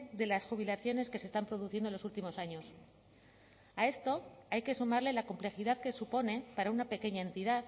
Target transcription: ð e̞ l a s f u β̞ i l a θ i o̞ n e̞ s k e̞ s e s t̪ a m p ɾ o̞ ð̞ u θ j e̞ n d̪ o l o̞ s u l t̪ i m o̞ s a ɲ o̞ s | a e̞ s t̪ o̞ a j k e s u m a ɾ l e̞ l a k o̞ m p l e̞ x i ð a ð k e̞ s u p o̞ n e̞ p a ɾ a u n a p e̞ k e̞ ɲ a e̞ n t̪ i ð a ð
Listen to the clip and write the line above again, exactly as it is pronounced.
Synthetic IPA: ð e̞ l a s x u β̞ i l a θ j o̞ n e̞ s k e̞ s e s t̪ a m p ɾ o̞ ð̞ u θ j e̞ n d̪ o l o̞ s u l t̪ i m o̞ s a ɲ o̞ s | a e̞ s t̪ o̞ a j k e s u m a ɾ l e̞ l a k o̞ m p l e̞ x i ð a ð k e̞ s u p o̞ n e̞ p a ɾ a u n a p e̞ k e̞ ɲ a e̞ n t̪ i ð a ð

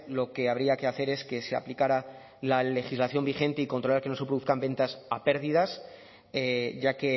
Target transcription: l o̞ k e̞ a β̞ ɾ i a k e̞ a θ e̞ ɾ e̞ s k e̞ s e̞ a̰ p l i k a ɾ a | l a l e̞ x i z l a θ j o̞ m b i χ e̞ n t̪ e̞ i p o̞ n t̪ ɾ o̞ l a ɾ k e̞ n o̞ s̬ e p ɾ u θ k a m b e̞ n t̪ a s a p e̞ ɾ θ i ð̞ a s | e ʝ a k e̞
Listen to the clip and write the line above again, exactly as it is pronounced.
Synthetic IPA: l o̞ k e̞ a β̞ ɾ i a k e̞ a θ e̞ ɾ e̞ s k e̞ s e̞ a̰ p l i k a ɾ a | l a l e̞ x i z l a θ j o̞ m b i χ e̞ n t̪ e̞ i k o̞ n t̪ ɾ o̞ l a ɾ k e̞ n o̞ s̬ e p ɾ u θ k a m b e̞ n t̪ a s a p e̞ ɾ ð i ð̞ a s | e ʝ a k e̞

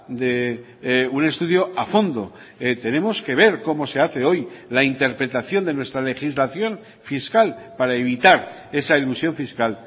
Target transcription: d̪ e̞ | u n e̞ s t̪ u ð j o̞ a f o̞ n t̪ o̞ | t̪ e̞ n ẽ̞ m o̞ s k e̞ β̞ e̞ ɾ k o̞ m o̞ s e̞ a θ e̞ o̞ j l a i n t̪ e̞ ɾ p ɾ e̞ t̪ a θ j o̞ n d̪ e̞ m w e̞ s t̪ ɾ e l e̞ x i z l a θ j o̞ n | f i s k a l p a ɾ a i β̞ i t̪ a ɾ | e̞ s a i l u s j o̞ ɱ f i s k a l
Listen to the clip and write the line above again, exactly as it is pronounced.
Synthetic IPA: d̪ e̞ | u n e̞ s t̪ u ð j o̞ a f o̞ n d̪ o̞ | t̪ e̞ n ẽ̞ m o̞ s k e̞ β̞ e̞ ɾ k o̞ m o̞ s e̞ a θ e̞ o̞ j l a i n t̪ e̞ ɾ p ɾ e̞ t̪ a θ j o̞ n d̪ e̞ n w e̞ s t̪ ɾ a l e̞ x i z l a θ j o̞ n | f i s k a l p a ɾ a e β̞ i t̪ a ɾ | e̞ s a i l u s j o̞ ɱ f i s k a l

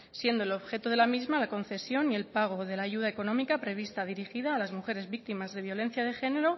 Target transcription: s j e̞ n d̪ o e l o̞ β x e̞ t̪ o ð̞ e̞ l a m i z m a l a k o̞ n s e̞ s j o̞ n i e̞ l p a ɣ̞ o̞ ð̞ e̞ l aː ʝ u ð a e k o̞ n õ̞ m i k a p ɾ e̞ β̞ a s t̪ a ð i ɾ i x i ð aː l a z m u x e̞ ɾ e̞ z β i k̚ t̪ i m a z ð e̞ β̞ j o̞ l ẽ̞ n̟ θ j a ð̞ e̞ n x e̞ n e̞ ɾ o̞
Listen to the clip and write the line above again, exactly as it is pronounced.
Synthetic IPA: s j e̞ n d̪ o e l o̞ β x e̞ t̪ o ð̞ e̞ l a m i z m a l a k o̞ n θ e̞ s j o̞ n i e̞ l p a ɣ̞ o̞ ð̞ e̞ l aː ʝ u ð a e k o̞ n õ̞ m i k a p ɾ e̞ β̞ i s t̪ a ð i ɾ i x i ð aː l a z m u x e̞ ɾ e̞ z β i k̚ t̪ i m a z ð e̞ β̞ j o̞ l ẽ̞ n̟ θ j a ð̞ e̞ x e̞ n e̞ ɾ o̞

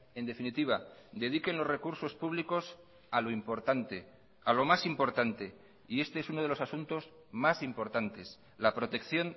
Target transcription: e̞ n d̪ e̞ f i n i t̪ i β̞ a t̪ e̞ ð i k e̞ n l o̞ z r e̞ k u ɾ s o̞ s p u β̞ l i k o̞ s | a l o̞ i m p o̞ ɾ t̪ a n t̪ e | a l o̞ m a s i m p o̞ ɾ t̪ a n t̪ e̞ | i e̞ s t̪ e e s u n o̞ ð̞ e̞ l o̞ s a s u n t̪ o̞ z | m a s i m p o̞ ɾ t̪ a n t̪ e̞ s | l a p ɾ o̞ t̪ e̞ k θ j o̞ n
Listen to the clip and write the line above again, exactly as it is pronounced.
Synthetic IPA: e̞ n d̪ e̞ f i n i t̪ i β̞ a d̪ e̞ ð i k e̞ n l o̞ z r e̞ k u ɾ s o̞ s p u β̞ l i k o̞ s | a l o̞ i m p o̞ ɾ t̪ a n t̪ e | a l o̞ m a s i m p o̞ ɾ t̪ a n t̪ e̞ | i e̞ s t̪ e e s u n o̞ ð̞ e̞ l o̞ s a s u n t̪ o̞ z | m a s i m p o̞ ɾ t̪ a n t̪ e̞ s | l a p ɾ o̞ t̪ e̞ k θ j o̞ n

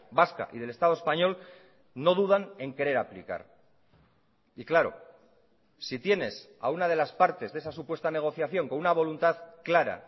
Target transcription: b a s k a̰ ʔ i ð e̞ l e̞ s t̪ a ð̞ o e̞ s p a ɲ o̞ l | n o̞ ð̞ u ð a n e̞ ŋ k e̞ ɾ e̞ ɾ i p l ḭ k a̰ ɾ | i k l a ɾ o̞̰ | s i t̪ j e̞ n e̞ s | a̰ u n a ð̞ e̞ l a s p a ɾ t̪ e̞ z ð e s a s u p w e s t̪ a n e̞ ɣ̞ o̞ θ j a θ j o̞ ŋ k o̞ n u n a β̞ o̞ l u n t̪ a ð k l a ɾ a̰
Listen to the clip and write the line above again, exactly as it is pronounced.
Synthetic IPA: b a s k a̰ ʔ i ð e̞ l e̞ s t̪ a ð̞ o e̞ s p a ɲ o̞ l | n o̞ ð̞ u ð a n e̞ ŋ k e̞ ɾ e̞ ɾ a p l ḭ k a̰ ɾ | i k l a ɾ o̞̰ | s i t̪ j e̞ n e̞ s | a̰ u n a ð̞ e̞ l a s p a ɾ t̪ e̞ z ð e s a s u p w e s t̪ a n e̞ ɣ̞ o̞ θ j a θ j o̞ ŋ k o̞ n u n a β̞ o̞ l u n t̪ a ð k l a ɾ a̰

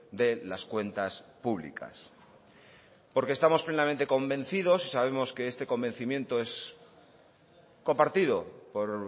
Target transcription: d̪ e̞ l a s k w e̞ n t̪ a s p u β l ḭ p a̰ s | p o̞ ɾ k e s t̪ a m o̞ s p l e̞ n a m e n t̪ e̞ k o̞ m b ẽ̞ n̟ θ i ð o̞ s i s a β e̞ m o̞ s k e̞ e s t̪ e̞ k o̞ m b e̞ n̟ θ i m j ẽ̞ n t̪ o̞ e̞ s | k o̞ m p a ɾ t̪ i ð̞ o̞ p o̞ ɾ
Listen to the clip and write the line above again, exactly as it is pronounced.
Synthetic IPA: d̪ e̞ l a s k w e̞ n t̪ a s p u β l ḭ k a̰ s | p o̞ ɾ k e s t̪ a m o̞ s p l e̞ n a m e n t̪ e̞ k o̞ m b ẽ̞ n̟ θ i ð o̞ s i s a β e̞ m o̞ s k e̞ e s t̪ e̞ k o̞ m b e̞ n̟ θ i m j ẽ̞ n t̪ o̞ e̞ s | k o̞ m p a ɾ t̪ i ð̞ o̞ p o̞ ɾ

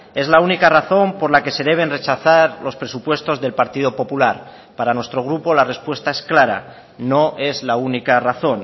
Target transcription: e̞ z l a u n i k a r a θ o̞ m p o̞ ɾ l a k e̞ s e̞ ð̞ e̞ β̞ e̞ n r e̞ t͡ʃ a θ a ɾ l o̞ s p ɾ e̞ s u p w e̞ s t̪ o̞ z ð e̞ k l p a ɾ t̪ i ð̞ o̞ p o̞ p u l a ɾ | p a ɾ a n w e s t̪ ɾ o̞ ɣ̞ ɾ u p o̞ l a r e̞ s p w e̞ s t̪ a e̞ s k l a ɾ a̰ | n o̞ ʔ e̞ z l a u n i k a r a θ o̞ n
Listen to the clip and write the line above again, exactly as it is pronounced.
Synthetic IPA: e̞ z l a u n i k a r a θ o̞ m p o̞ ɾ l a k e̞ s e̞ ð̞ e̞ β̞ e̞ n r e̞ t͡ʃ a θ a ɾ l o̞ s p ɾ e̞ s u p w e̞ s t̪ o̞ z ð e̞ l p a ɾ t̪ i ð̞ o̞ p o̞ p u l a ɾ | p a ɾ a n w e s t̪ ɾ o̞ ɣ̞ ɾ u p o̞ l a r e̞ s p w e̞ s t̪ a e̞ s k l a ɾ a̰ | n o̞ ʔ e̞ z l a u n i k a r a θ o̞ n

